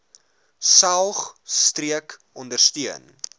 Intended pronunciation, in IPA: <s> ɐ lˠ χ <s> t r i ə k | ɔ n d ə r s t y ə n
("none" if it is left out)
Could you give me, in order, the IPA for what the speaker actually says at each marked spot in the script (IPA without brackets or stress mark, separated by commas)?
s, s